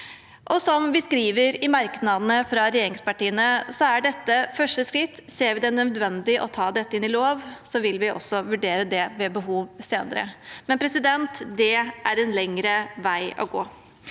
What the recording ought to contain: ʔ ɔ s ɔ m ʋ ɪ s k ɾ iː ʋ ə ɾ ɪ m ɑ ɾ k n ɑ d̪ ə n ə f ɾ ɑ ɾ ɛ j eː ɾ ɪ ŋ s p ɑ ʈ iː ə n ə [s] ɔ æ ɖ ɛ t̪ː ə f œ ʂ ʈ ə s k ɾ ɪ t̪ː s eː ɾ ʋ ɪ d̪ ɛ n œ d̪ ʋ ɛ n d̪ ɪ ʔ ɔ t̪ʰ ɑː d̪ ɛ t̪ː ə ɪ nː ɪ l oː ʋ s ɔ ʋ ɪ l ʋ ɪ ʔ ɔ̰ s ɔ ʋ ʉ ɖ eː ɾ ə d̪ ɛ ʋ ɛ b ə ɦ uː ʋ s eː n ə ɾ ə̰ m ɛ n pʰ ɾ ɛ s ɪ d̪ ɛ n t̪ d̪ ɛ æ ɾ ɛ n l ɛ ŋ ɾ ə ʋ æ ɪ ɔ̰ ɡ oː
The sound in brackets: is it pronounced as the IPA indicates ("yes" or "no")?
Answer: yes